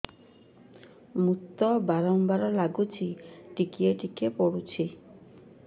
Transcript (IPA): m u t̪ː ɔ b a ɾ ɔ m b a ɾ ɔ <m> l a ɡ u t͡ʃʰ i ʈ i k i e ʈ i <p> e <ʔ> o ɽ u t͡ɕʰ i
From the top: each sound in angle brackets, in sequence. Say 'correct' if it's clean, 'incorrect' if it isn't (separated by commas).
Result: incorrect, incorrect, incorrect